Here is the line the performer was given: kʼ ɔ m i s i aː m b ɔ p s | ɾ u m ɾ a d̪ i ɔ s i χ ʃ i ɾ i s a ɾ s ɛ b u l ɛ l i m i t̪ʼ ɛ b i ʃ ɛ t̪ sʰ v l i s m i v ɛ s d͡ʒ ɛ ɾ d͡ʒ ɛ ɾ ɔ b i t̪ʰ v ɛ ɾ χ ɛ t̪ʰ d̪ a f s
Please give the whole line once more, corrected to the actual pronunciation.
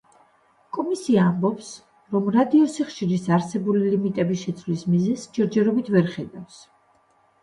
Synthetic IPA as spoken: kʼ ɔ m i s i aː m b ɔ p s | ɾ ɔ m ɾ a d̪ i ɔ s i χ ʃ i ɾ i s a ɾ s ɛ b u l i l i m i t̪ʼ ɛ b i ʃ ɛ t̪ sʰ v l i s m i z ɛ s d͡ʒ ɛ ɾ d͡ʒ ɛ ɾ ɔ b i t̪ʰ v ɛ ɾ χ ɛ d̪ a f s